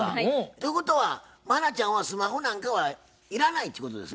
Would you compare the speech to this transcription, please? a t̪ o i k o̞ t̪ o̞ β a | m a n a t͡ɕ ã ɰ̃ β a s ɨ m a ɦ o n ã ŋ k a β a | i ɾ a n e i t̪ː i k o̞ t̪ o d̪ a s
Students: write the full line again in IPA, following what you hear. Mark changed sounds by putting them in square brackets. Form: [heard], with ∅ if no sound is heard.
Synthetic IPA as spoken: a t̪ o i k o̞ t̪ o̞ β a | m a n a t͡ɕ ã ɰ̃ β a s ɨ m a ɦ o n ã ŋ k a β a | i ɾ a n [a] i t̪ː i k o̞ t̪ o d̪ [e] s